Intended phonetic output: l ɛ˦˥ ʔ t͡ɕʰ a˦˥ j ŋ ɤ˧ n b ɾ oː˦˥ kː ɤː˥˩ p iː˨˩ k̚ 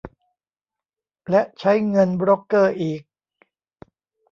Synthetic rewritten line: l ɛ˦˥ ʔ t͡ɕʰ a˦˥ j ŋ ɤ˧ n b ɾ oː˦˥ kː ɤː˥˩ ʔ iː˨˩ k̚